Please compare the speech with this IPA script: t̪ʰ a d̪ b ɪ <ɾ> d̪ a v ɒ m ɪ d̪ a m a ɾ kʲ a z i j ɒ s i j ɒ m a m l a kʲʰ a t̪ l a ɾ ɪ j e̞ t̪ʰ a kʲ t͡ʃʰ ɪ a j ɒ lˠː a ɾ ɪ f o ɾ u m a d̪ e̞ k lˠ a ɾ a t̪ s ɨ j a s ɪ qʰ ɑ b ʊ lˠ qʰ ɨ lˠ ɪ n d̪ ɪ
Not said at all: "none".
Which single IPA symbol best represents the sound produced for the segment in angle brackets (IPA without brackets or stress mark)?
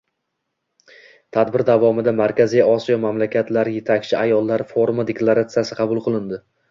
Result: ɾ